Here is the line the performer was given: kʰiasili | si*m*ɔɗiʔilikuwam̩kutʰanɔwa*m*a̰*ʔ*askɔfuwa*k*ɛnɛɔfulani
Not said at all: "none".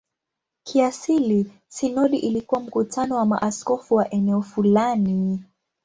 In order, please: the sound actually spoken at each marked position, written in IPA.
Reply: n, m, ʔ, ʔ

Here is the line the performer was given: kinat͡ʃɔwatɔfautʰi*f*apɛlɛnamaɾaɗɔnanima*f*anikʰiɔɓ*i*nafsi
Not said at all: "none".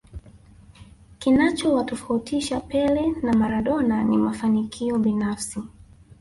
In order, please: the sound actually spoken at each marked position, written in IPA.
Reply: ʃ, f, i

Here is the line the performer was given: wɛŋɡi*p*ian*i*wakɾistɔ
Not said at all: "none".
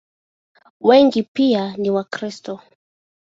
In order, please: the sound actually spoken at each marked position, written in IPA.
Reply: p, i

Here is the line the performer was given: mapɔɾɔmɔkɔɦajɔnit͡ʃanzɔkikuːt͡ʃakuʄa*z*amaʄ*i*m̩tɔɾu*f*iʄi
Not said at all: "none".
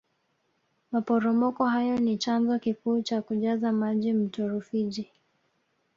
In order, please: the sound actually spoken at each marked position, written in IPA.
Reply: z, i, f

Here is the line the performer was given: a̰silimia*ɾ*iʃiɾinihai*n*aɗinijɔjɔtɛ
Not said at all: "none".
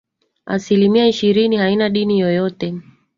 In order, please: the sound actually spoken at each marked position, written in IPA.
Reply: none, n

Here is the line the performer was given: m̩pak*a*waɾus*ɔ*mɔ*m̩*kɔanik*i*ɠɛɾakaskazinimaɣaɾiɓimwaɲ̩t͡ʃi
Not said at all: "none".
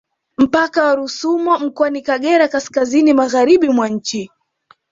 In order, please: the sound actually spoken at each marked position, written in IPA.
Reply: a, u, m̩, a

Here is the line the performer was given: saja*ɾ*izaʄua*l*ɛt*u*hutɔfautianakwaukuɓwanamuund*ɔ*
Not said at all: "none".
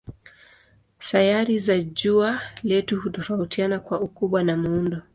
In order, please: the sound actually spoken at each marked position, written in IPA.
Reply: ɾ, l, u, ɔ

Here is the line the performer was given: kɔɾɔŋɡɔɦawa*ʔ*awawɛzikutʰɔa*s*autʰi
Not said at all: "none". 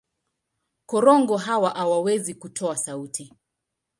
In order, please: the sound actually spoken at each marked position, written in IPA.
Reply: ʔ, s

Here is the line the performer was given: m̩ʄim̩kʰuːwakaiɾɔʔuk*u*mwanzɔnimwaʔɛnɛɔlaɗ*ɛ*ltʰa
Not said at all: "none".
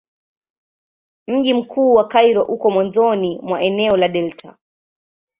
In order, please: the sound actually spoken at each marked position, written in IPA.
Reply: ɔ, ɛ

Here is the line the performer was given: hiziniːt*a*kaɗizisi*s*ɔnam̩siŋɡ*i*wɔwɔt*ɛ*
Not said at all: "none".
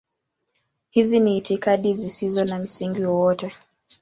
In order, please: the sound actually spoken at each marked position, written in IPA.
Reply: i, z, i, ɛ

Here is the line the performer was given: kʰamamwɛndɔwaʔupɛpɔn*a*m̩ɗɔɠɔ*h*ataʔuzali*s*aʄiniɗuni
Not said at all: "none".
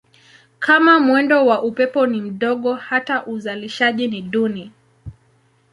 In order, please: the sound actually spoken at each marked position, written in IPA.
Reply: i, h, ʃ

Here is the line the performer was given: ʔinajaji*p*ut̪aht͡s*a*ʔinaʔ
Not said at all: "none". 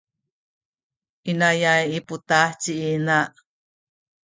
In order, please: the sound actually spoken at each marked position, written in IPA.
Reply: p, i

